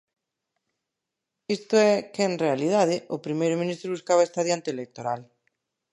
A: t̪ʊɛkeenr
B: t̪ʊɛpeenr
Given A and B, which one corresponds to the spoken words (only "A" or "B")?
A